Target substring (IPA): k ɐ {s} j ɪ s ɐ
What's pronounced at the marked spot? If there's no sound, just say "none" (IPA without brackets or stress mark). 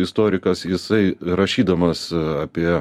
s